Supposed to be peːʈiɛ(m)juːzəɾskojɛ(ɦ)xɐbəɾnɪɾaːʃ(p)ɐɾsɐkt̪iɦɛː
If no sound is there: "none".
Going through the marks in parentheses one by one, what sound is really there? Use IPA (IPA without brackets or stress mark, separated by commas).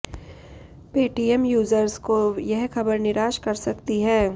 m, ɦ, k